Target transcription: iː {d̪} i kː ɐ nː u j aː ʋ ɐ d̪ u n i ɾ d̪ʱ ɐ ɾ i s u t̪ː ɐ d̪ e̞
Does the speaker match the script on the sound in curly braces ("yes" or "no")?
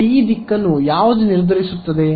yes